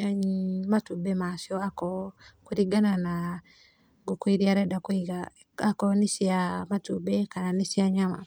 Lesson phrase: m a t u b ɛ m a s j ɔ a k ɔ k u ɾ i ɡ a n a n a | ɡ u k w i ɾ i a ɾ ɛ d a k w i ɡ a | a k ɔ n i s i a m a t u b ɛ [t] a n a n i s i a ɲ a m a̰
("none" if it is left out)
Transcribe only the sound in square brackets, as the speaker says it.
k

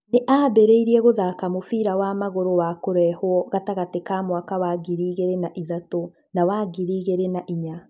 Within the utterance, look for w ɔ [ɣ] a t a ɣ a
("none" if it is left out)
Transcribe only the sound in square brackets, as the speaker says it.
ɣ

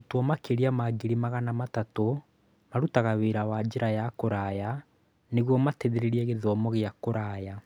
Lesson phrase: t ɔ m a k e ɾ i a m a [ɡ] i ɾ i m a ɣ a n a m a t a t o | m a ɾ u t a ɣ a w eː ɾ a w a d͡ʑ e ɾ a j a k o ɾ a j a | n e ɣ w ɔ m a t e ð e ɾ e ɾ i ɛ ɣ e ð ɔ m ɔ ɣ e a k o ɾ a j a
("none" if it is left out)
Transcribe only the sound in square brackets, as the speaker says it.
ɡ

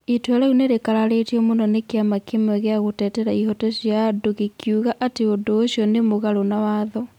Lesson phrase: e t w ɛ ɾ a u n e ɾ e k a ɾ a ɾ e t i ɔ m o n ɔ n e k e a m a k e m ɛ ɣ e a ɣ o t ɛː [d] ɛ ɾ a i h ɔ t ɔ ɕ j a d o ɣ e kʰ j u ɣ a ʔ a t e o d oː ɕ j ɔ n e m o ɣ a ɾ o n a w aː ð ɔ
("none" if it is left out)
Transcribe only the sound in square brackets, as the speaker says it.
t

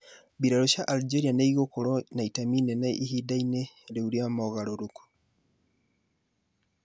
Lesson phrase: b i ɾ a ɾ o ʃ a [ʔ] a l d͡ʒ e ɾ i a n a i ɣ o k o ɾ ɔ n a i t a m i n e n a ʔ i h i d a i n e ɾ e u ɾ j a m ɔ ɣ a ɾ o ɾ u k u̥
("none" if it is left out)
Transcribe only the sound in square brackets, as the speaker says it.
ʔ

